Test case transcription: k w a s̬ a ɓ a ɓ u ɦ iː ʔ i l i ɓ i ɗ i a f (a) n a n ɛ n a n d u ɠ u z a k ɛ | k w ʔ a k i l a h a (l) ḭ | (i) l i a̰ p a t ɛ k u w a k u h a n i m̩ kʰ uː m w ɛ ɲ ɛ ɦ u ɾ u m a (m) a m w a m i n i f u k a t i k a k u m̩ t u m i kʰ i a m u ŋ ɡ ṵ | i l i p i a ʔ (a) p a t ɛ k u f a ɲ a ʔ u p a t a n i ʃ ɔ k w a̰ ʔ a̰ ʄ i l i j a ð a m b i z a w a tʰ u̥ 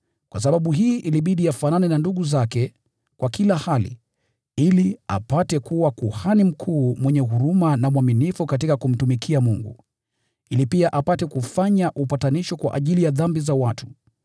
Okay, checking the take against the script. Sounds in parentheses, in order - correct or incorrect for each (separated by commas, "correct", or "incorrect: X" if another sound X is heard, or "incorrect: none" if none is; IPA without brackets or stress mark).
correct, correct, correct, incorrect: n, correct